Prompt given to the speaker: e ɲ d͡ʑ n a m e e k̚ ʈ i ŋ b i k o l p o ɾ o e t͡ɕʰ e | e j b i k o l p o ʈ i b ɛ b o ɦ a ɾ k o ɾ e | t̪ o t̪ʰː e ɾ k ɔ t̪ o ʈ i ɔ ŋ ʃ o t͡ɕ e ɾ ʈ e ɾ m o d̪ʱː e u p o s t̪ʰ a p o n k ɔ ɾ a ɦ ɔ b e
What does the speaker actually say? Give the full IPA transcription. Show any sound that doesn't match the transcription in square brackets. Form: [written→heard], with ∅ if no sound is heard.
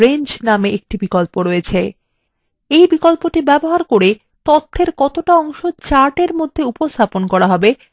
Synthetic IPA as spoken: e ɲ d͡ʑ n a m e e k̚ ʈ i [ŋ→∅] b i k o l p o ɾ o e t͡ɕʰ e | e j b i k o l p o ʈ i b ɛ b o ɦ a ɾ k o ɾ e | t̪ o t̪ʰː e ɾ k ɔ t̪ o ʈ [i→a] ɔ ŋ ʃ o t͡ɕ [e→a] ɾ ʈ e ɾ m o d̪ʱː e u p o s t̪ʰ a p o n k ɔ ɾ a ɦ ɔ b e